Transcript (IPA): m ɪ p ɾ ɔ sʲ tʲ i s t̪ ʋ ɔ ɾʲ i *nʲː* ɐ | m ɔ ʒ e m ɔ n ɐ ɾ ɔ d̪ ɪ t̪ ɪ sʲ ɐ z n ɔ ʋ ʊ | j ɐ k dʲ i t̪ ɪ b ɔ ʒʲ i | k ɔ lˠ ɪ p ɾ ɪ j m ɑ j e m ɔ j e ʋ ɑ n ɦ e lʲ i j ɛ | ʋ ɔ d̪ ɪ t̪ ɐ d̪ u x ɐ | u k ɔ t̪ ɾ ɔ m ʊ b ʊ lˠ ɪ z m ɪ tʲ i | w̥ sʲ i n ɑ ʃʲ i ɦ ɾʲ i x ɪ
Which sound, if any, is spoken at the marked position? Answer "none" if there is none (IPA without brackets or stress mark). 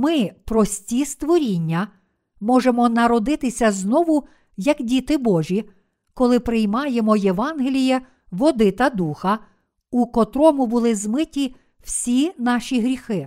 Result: nʲː